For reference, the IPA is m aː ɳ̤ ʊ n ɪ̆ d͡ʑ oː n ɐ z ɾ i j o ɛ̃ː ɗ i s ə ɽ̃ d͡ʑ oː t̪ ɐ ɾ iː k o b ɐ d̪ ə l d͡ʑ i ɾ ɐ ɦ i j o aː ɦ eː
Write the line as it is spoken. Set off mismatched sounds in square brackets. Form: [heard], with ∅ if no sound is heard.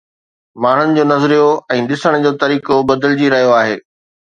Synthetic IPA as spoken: m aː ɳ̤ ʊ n ɪ̆ d͡ʑ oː n ɐ z ɾ i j o ɛ̃ː ɗ [ɪ] s ə ɽ̃ d͡ʑ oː t̪ ɐ ɾ iː k o b ɐ d̪ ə l d͡ʑ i ɾ ɐ ɦ i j o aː ɦ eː